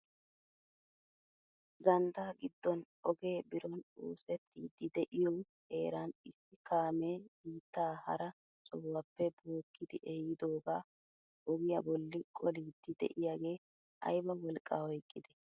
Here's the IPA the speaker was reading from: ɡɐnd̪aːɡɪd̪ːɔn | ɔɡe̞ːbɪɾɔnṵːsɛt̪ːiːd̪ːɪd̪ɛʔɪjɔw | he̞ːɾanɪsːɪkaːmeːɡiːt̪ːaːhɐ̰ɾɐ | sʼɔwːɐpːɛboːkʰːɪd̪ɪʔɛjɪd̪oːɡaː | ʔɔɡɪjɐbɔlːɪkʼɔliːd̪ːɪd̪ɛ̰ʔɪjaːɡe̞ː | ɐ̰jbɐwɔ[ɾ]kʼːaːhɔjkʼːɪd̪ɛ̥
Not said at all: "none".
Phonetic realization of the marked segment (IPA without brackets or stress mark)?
l